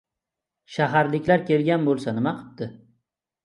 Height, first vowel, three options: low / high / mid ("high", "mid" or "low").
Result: low